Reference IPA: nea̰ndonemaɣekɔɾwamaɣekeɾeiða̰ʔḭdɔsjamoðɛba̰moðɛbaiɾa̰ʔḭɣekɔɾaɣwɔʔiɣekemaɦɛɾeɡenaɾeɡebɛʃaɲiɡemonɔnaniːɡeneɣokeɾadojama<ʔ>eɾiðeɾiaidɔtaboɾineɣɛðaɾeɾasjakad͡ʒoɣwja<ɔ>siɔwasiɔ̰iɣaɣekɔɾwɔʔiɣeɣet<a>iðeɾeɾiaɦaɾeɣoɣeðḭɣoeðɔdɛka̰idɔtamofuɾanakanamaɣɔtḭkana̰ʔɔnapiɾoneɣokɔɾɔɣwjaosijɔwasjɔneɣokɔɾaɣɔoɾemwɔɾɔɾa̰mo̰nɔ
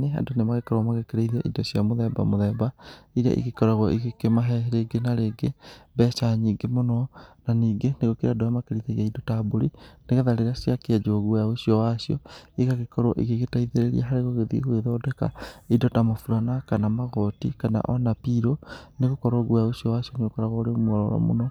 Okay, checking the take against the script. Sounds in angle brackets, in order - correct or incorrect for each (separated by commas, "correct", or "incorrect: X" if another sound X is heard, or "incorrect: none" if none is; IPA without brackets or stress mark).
incorrect: k, incorrect: o, correct